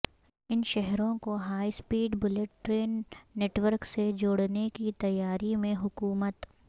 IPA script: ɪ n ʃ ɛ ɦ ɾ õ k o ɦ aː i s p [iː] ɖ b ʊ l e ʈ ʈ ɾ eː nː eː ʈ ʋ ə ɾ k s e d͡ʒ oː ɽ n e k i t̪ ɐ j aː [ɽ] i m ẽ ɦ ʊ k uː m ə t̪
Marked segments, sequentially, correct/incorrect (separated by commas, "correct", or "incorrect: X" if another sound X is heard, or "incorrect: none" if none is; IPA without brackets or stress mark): correct, incorrect: ɾ